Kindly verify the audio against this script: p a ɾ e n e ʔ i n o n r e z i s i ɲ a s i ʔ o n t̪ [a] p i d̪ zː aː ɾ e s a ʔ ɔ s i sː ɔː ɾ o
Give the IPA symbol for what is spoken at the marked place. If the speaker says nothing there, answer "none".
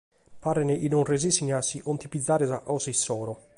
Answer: i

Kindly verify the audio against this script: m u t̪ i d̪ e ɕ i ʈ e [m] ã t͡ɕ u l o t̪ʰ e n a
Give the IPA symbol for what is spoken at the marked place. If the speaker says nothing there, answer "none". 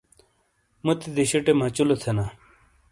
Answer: m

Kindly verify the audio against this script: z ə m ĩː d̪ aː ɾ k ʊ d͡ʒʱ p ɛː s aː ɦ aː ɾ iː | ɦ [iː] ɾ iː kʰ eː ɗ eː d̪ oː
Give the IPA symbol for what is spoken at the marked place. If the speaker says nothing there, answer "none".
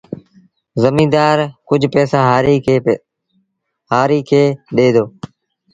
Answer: aː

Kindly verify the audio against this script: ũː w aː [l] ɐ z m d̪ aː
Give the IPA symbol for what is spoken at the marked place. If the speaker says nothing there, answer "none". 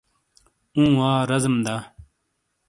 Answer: ɾ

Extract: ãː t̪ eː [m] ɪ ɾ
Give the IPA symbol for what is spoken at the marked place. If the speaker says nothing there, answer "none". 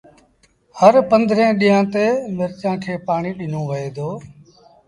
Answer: m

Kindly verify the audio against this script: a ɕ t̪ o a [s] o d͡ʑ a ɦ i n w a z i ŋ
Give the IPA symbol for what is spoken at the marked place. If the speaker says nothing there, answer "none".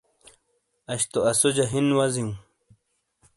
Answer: s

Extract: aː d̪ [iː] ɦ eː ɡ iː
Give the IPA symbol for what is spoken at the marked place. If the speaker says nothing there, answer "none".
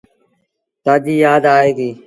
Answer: aː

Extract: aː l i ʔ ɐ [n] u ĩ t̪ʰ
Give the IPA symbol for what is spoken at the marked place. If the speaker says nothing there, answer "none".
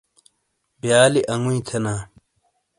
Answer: ŋ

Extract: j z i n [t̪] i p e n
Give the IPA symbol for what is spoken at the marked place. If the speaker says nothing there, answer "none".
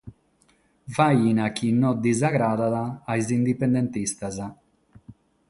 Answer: d̪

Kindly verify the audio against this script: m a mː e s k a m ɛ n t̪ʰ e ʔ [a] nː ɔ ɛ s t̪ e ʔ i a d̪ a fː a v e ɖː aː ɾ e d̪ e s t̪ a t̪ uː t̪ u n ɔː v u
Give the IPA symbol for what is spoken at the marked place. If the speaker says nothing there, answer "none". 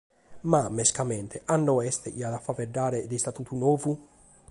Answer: a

